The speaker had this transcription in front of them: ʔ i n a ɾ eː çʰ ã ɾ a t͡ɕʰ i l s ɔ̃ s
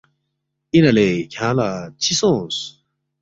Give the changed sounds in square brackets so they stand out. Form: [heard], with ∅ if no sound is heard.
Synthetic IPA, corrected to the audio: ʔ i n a [l] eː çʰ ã [l] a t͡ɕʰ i [∅] s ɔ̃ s

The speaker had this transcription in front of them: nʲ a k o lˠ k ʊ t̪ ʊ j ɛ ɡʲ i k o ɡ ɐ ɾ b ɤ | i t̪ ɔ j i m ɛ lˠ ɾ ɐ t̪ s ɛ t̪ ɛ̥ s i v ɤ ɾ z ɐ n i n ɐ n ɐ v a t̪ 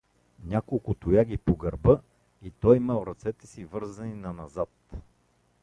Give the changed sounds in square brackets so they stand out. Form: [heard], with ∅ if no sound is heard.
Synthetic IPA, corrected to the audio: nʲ a k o lˠ k ʊ t̪ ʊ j [a] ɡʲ i [p] o ɡ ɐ ɾ b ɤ | i t̪ ɔ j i m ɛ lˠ ɾ ɐ t̪ s ɛ t̪ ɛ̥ s i v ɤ ɾ z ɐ n i n ɐ n ɐ [z] a t̪

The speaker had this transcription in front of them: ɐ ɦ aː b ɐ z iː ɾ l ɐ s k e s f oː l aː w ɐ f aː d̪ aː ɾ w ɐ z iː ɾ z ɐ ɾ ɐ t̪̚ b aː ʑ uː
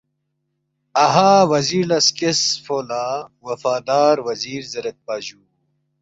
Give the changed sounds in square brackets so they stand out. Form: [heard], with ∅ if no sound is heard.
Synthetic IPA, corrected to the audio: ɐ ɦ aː [w] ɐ z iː ɾ l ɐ s k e s f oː l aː w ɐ f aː d̪ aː ɾ w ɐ z iː ɾ z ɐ ɾ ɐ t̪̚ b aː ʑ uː

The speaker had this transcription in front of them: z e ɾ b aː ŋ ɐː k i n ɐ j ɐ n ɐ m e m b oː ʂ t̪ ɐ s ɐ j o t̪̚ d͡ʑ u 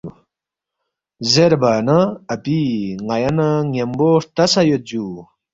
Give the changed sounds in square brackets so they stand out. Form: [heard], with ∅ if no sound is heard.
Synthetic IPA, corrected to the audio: z e ɾ b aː [n] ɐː [p] i [ŋ] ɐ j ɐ n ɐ [ŋ] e m b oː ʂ t̪ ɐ s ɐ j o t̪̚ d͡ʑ u

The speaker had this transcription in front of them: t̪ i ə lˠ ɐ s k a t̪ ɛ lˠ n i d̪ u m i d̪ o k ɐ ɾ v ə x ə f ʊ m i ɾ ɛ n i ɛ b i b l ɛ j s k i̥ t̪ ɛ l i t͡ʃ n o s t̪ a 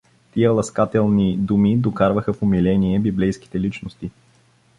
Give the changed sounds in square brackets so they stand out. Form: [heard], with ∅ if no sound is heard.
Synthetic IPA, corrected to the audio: t̪ i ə lˠ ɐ s k a t̪ ɛ lˠ n i d̪ u m i d̪ o k [a] ɾ v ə x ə f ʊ m i [l] ɛ n i ɛ b i b l ɛ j s k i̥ t̪ ɛ l i t͡ʃ n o s t̪ [i]

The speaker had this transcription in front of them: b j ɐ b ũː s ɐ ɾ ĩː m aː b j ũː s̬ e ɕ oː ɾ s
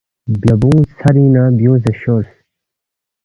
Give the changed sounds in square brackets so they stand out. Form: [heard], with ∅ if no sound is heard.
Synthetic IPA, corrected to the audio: b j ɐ b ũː s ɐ ɾ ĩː [n] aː b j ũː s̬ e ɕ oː ɾ s

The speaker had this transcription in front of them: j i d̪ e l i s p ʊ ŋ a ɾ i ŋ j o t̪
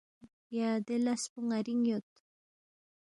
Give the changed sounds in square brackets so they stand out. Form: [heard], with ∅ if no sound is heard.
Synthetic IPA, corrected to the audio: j [a] d̪ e l [a] s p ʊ ŋ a ɾ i ŋ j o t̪

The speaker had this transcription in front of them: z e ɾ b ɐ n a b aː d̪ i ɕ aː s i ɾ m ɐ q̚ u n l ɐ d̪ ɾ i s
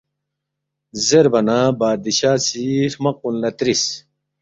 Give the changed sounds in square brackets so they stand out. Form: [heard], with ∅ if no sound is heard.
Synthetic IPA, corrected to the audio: z e ɾ b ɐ n a b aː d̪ i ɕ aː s i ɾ m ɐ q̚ u n l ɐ [t̪] ɾ i s

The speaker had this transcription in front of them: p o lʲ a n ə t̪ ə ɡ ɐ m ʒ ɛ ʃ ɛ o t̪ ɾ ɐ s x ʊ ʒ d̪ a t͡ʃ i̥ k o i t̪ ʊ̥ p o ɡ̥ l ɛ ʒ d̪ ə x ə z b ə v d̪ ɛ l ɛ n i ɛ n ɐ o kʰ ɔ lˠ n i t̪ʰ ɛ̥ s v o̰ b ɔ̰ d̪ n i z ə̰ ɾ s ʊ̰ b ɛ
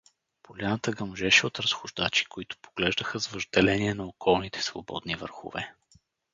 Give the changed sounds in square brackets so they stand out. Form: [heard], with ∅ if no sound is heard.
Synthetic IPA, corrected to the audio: p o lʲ a n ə t̪ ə ɡ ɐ m ʒ ɛ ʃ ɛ o t̪ ɾ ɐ s x ʊ ʒ d̪ a t͡ʃ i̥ k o i t̪ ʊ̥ p o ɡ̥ l ɛ ʒ d̪ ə x ə z [v] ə [ʒ] d̪ ɛ l ɛ n i ɛ n ɐ o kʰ ɔ lˠ n i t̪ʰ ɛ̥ s v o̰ b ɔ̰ d̪ n i [v] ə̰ ɾ [x] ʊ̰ [v] ɛ

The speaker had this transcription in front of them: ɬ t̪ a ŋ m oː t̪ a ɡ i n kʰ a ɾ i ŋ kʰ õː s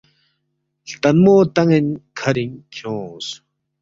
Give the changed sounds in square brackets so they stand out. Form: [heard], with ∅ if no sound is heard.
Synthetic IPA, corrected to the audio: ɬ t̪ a [n] m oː t̪ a [ŋ] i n kʰ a ɾ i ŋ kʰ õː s

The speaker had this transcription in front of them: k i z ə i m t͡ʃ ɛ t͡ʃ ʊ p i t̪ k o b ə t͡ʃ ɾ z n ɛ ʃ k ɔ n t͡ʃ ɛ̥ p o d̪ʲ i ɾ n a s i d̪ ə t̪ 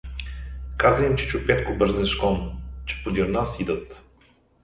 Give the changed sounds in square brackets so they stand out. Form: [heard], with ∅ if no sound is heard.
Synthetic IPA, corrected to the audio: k [a] z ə i m t͡ʃ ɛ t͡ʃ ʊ p [ɛ] t̪ k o b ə [∅] ɾ z n ɛ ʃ k ɔ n t͡ʃ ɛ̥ p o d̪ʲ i ɾ n a s i d̪ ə t̪

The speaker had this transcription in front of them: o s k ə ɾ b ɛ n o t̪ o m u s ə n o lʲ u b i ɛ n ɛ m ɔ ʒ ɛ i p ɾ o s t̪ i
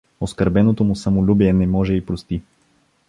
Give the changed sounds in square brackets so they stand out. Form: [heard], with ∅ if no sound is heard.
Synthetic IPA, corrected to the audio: o s k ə ɾ b ɛ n o t̪ o m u s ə [m] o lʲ u b i ɛ n ɛ m ɔ ʒ ɛ i p ɾ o s t̪ i

